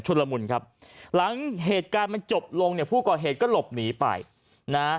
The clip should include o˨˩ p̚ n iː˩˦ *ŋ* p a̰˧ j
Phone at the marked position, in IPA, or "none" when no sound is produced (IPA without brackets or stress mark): none